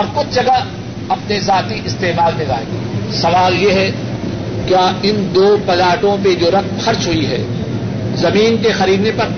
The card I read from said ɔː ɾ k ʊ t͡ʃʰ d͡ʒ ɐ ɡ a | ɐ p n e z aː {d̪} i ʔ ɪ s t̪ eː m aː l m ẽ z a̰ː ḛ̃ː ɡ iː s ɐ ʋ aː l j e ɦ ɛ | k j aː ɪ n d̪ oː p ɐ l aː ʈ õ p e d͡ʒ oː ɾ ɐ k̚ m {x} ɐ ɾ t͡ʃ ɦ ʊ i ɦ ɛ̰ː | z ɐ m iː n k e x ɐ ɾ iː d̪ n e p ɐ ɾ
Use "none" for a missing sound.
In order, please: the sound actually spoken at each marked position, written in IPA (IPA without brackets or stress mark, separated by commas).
t̪, x